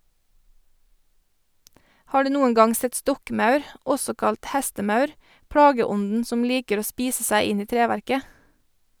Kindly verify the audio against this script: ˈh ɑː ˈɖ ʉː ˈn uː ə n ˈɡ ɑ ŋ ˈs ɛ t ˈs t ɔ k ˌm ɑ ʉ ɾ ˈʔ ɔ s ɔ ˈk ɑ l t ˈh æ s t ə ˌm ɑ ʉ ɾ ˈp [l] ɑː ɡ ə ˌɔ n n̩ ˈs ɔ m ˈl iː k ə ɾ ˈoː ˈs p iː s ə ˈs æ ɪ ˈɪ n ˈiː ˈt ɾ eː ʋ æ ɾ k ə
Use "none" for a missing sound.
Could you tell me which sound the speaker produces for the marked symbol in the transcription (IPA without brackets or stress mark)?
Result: ɽ